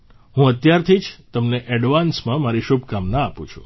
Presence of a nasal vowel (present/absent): present